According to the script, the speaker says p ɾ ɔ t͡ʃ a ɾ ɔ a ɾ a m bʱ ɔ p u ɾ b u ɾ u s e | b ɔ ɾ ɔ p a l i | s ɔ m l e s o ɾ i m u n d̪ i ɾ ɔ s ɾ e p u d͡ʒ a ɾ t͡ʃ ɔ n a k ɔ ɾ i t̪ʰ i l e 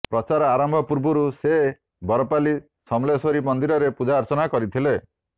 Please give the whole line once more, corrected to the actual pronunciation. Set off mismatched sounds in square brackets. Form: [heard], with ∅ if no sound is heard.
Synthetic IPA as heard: p ɾ ɔ t͡ʃ a ɾ ɔ a ɾ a m bʱ ɔ p u ɾ b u ɾ u s e | b ɔ ɾ ɔ p a l i | s ɔ m l e s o ɾ i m [ɔ] n d̪ i ɾ ɔ [∅] ɾ e p u d͡ʒ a ɾ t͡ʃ ɔ n a k ɔ ɾ i t̪ʰ i l e

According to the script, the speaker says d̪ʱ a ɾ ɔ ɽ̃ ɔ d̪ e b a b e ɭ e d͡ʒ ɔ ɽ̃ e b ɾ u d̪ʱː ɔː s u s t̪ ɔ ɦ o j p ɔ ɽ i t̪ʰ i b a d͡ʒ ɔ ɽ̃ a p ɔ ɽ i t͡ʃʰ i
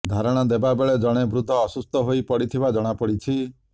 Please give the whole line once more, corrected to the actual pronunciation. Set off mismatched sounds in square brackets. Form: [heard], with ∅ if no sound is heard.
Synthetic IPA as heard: d̪ʱ a ɾ ɔ ɽ̃ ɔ d̪ e b a b e ɭ e d͡ʒ ɔ ɽ̃ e b ɾ u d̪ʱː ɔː s u s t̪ ɔ ɦ o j p ɔ ɽ i t̪ʰ i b a d͡ʒ ɔ ɽ̃ a p ɔ ɽ i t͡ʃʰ i

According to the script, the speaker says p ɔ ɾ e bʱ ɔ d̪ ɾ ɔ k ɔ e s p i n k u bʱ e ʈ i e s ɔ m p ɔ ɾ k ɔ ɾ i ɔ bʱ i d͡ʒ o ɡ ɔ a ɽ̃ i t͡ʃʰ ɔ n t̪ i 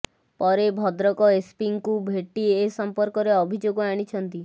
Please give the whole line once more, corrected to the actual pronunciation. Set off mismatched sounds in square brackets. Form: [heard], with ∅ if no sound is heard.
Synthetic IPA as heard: p ɔ ɾ e bʱ ɔ d̪ ɾ ɔ k ɔ e s p i [ŋ] k u bʱ e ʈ i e s ɔ m p ɔ ɾ k ɔ ɾ [e] ɔ bʱ i d͡ʒ o ɡ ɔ a ɽ̃ i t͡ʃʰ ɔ n t̪ i

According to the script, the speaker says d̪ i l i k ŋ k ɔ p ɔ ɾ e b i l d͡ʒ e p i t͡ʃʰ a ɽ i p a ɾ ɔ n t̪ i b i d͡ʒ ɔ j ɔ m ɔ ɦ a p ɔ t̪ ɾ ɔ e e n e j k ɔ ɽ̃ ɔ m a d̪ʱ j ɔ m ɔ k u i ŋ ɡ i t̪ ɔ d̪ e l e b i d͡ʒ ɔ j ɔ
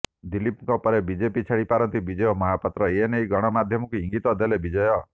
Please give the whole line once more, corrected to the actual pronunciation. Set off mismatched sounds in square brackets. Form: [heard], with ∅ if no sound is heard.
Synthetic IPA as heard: d̪ i l i [p] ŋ k ɔ p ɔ ɾ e b i [∅] d͡ʒ e p i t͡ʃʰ a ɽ i p a ɾ ɔ n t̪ i b i d͡ʒ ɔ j ɔ m ɔ ɦ a p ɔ t̪ ɾ ɔ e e n e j [ɡ] ɔ ɽ̃ ɔ m a d̪ʱ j ɔ m ɔ k u i ŋ ɡ i t̪ ɔ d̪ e l e b i d͡ʒ ɔ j ɔ

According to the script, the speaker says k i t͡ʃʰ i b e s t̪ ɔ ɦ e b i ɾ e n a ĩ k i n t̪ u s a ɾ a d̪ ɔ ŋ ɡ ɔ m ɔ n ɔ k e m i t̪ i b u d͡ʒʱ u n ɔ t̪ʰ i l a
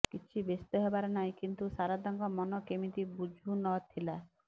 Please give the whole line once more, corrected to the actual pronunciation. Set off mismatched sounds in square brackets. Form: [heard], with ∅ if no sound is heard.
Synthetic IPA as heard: k i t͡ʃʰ i b e s t̪ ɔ ɦ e b [a] ɾ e n a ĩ k i n t̪ u s a ɾ a d̪ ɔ ŋ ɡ ɔ m ɔ n ɔ k e m i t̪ i b u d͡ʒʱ u n ɔ t̪ʰ i l a

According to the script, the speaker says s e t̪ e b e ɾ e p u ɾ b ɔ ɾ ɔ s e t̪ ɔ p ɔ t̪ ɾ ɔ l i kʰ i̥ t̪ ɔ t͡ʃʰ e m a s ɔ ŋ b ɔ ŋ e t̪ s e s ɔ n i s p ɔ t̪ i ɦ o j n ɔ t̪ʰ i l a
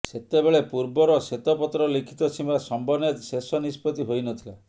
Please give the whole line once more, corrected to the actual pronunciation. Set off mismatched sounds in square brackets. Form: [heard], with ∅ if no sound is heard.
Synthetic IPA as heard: s e t̪ e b e [ɭ] e p u ɾ b ɔ ɾ ɔ s e t̪ ɔ p ɔ t̪ ɾ ɔ l i kʰ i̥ t̪ ɔ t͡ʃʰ [i] m a s ɔ [m] b ɔ [n] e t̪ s e s ɔ n i s p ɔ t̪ i ɦ o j n ɔ t̪ʰ i l a

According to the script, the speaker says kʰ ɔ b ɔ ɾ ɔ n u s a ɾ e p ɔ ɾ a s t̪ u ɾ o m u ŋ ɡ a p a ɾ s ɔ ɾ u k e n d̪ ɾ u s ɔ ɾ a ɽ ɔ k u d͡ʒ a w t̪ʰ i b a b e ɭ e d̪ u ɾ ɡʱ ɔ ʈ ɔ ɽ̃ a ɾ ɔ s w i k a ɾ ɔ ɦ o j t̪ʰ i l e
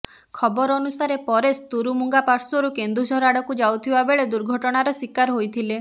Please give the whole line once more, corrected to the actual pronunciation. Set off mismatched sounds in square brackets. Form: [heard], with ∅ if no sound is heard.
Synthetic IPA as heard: kʰ ɔ b ɔ ɾ ɔ n u s a ɾ e p ɔ ɾ [e] s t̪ u ɾ [u] m u ŋ ɡ a p a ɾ s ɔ ɾ u k e n d̪ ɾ u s ɔ ɾ a ɽ ɔ k u d͡ʒ a w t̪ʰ i b a b e ɭ e d̪ u ɾ ɡʱ ɔ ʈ ɔ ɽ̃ a ɾ ɔ s w i k a ɾ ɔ ɦ o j t̪ʰ i l e

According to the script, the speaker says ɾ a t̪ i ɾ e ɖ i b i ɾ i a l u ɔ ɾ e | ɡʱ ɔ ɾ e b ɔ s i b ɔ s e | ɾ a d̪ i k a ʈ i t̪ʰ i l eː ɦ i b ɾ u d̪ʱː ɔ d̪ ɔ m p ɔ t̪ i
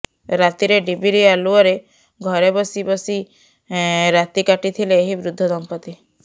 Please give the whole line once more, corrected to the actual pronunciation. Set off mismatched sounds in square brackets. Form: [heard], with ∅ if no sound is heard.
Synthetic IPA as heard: ɾ a t̪ i ɾ e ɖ i b i ɾ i a l u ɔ ɾ e | ɡʱ ɔ ɾ e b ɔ s i b ɔ s [i] | ɾ a [t̪] i k a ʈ i t̪ʰ i l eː ɦ i b ɾ u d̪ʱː ɔ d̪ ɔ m p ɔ t̪ i

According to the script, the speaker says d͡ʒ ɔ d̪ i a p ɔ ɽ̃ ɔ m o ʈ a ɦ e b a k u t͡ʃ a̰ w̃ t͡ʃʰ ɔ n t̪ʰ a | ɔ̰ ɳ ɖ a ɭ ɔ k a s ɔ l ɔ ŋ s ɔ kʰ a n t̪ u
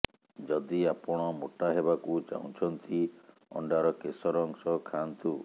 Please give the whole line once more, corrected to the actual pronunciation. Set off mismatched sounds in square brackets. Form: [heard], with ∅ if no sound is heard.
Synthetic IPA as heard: d͡ʒ ɔ d̪ i a p ɔ ɽ̃ ɔ m o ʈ a ɦ e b a k u t͡ʃ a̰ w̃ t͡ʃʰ ɔ n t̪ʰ [i] | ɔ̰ ɳ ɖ a [ɾ] ɔ k [e] s ɔ [ɾ] ɔ ŋ s ɔ kʰ a n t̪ u

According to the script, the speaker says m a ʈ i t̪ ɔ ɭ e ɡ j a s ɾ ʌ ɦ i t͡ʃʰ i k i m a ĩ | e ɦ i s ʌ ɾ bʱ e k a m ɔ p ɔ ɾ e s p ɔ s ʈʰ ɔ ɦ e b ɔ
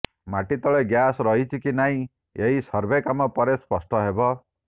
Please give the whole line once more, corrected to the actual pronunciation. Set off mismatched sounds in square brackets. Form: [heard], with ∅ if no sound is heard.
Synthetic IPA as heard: m a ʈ i t̪ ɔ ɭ e ɡ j a s ɾ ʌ ɦ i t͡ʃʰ i k i [n] a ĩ | e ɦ i s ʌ ɾ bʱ e k a m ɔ p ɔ ɾ e s p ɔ s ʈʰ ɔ ɦ e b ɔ

